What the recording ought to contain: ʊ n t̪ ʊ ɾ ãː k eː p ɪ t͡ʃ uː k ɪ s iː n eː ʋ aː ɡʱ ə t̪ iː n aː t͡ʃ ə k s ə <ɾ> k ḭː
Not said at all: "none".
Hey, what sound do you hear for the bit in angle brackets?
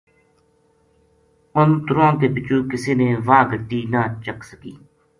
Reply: none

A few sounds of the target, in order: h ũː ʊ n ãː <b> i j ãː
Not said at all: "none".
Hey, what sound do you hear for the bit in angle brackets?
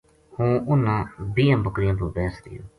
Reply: b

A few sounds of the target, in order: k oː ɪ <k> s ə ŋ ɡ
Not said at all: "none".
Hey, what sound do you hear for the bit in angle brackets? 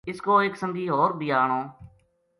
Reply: k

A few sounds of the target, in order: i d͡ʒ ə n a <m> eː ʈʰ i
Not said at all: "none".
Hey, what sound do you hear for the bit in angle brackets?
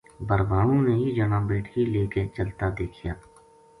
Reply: b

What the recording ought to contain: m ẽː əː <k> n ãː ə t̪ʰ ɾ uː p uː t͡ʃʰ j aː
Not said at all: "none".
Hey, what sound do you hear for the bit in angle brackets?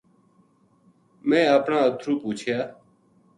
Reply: p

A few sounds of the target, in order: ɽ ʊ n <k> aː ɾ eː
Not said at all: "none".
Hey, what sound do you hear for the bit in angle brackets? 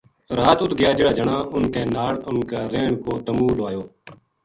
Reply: k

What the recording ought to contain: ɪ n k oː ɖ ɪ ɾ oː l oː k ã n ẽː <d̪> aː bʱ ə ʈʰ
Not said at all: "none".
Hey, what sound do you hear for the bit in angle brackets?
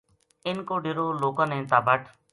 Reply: t̪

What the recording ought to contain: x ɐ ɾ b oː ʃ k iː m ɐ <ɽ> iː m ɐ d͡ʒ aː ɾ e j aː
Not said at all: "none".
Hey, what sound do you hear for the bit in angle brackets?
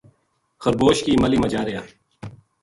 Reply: l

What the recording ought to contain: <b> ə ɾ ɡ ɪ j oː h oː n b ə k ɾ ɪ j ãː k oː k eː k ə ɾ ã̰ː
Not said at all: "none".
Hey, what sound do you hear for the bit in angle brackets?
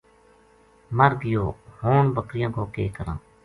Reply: m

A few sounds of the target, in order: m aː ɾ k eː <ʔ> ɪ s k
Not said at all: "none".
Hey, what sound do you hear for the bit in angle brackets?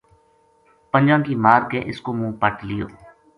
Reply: ʔ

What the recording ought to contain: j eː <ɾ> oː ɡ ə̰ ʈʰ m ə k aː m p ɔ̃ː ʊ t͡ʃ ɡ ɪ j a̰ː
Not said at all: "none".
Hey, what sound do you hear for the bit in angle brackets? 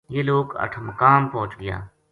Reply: l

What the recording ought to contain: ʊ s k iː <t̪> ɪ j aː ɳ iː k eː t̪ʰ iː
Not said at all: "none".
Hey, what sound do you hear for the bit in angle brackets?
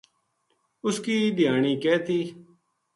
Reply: d̪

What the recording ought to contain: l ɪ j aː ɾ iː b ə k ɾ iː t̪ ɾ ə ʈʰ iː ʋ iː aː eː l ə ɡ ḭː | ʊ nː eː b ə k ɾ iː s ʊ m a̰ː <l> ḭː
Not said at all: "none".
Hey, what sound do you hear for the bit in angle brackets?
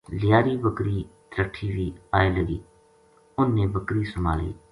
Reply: l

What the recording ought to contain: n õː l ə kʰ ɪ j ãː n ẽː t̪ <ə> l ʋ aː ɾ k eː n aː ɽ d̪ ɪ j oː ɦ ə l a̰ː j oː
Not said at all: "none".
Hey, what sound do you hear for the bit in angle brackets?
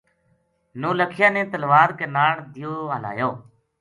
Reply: ə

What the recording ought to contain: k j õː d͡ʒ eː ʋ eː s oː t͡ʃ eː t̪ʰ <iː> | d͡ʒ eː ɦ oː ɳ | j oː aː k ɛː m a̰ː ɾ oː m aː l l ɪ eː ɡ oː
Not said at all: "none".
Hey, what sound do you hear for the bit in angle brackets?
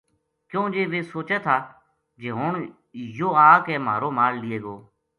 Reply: aː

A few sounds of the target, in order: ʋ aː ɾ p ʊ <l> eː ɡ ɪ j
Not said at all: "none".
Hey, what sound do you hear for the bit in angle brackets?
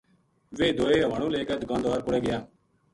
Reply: ɽ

